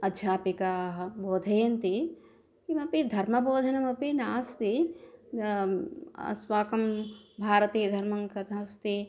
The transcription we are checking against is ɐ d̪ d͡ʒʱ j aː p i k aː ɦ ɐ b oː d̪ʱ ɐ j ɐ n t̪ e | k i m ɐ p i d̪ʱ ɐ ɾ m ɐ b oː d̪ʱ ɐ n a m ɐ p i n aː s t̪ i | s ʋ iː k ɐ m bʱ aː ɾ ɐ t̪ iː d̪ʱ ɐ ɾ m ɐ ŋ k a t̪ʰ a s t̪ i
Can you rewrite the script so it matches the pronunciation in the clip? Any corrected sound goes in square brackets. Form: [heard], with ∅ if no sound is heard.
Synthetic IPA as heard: ɐ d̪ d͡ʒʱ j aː p i k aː ɦ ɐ b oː d̪ʱ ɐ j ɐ n t̪ [i] | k i m ɐ p i d̪ʱ ɐ ɾ m ɐ b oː d̪ʱ ɐ n [ɐ] m ɐ p i n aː s t̪ i | s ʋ [aː] k ɐ m bʱ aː ɾ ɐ t̪ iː d̪ʱ ɐ ɾ m ɐ ŋ k [ɐ] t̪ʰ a s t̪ i